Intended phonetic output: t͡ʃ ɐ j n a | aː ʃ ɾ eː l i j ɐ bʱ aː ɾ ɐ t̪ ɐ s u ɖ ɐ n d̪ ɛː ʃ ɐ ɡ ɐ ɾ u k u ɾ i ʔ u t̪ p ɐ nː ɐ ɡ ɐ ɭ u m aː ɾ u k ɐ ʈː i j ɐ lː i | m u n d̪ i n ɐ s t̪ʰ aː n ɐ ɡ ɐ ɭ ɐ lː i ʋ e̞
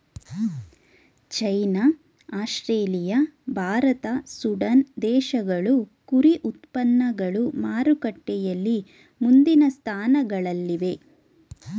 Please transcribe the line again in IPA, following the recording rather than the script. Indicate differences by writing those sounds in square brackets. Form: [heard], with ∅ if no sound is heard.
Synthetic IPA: t͡ʃ ɐ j n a | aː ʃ ɾ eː l i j ɐ bʱ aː ɾ ɐ t̪ ɐ s u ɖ ɐ n d̪ ɛː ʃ ɐ ɡ ɐ [ɭ] u k u ɾ i ʔ u t̪ p ɐ nː ɐ ɡ ɐ ɭ u m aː ɾ u k ɐ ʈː [ɛ] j ɐ lː i | m u n d̪ i n ɐ s t̪ʰ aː n ɐ ɡ ɐ ɭ ɐ lː i ʋ e̞